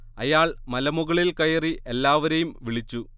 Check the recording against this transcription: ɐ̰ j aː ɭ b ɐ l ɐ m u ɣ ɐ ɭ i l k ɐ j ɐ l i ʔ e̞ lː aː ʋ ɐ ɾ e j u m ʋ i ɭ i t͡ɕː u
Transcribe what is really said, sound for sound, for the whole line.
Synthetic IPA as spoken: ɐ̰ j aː ɭ m ɐ l ɐ m u ɣ ɐ ɭ i l k ɐ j ɐ r i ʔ e̞ lː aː ʋ ɐ ɾ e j u m ʋ i ɭ i t͡ɕː u